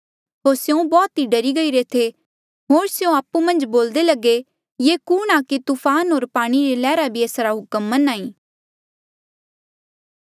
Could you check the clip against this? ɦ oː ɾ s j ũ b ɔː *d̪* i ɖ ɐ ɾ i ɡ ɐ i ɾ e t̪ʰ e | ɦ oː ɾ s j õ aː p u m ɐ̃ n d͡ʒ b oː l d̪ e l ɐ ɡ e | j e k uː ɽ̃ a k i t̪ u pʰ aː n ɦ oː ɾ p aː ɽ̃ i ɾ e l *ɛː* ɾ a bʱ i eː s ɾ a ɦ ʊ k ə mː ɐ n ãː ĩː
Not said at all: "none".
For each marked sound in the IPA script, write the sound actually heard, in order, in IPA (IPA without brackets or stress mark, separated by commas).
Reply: t̪, ɛː